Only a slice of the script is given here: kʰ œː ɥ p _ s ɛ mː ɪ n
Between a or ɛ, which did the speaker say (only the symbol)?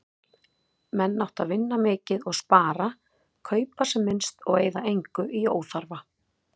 a